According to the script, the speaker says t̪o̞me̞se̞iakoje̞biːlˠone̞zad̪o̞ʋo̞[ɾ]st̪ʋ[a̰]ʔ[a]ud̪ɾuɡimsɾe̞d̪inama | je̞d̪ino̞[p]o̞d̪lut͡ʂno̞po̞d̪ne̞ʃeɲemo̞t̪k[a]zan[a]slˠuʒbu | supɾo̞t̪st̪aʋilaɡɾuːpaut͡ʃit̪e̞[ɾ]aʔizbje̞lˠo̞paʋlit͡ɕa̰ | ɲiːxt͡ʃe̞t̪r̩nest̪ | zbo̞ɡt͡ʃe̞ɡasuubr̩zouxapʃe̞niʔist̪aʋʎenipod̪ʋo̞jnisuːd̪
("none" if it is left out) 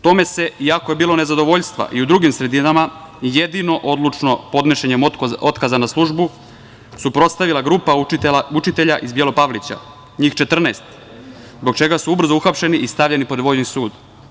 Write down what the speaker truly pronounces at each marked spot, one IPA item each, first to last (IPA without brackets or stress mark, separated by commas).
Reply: ʎ, a̰, i, ʔ, a, a, ʎ